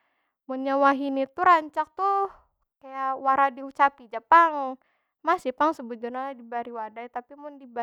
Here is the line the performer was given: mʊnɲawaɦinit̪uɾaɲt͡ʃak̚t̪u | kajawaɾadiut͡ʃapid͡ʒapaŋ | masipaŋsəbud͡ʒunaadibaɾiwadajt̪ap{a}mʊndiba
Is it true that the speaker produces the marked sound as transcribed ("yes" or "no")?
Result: no